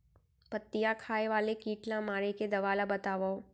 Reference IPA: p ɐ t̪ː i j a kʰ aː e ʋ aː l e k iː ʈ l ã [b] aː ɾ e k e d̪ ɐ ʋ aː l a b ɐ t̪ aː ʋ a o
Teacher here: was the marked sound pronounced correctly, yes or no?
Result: no